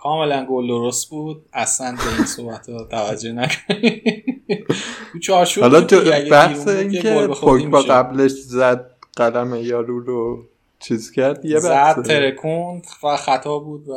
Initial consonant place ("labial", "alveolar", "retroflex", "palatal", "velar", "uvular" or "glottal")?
velar